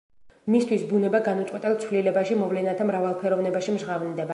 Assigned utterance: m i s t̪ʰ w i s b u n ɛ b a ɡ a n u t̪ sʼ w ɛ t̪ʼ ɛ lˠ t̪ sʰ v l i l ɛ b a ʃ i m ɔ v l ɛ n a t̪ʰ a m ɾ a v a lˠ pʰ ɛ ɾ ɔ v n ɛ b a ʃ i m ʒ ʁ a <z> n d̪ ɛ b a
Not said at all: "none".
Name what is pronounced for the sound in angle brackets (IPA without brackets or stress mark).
v